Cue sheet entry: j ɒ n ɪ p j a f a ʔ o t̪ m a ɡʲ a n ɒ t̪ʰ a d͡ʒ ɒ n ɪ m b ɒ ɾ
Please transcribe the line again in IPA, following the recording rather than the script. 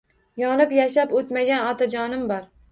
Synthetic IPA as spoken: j ɒ n ɪ p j a ʃ a p o t̪ m a ɡʲ a n ɒ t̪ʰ a d͡ʒ ɒ n ɪ m b ɒ ɾ